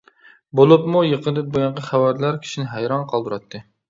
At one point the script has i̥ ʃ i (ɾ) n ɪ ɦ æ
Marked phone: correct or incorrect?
incorrect